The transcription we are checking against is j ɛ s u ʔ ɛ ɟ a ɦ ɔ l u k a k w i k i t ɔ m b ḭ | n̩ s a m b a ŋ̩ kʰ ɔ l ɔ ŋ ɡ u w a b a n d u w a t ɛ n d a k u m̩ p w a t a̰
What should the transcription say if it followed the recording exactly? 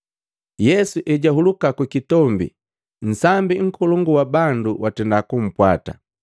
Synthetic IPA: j ɛ s u ʔ ɛ ɟ a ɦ u l u k a k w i k i t ɔ m b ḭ | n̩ s a m b i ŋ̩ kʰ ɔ l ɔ ŋ ɡ u w a b a n d u w a t ɛ n d a k u m̩ p w a t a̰